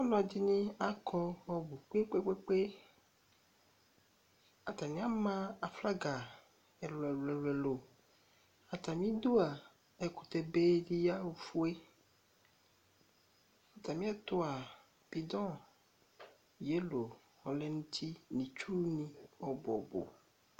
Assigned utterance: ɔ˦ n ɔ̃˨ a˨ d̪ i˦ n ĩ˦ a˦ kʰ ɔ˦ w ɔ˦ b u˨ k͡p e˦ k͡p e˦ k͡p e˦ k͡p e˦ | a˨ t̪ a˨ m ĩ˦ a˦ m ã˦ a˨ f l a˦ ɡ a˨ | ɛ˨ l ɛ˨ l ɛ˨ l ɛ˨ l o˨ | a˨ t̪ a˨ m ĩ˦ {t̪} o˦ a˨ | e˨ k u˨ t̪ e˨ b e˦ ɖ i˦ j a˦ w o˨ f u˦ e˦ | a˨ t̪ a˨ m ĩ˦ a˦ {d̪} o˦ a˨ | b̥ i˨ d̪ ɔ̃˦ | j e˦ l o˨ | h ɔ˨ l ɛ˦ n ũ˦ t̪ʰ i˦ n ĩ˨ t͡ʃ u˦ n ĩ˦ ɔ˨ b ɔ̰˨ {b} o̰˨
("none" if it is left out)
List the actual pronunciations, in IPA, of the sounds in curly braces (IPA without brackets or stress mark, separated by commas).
d̪, t̪, b